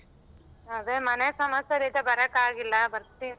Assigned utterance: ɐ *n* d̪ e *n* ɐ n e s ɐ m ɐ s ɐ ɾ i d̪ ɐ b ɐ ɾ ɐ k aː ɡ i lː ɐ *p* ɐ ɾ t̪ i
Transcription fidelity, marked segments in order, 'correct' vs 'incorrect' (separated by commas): incorrect, incorrect, incorrect